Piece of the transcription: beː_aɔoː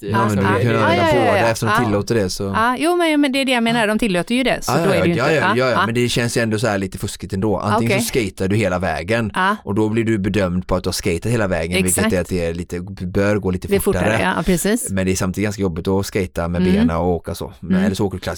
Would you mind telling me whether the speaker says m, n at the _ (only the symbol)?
n